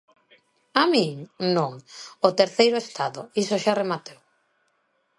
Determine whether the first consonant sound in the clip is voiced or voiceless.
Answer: voiced